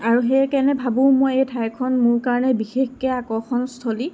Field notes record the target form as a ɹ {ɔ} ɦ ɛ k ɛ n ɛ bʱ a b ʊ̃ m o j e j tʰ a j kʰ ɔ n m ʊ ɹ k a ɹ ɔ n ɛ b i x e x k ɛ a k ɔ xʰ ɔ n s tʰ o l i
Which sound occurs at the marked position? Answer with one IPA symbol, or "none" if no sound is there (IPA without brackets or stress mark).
u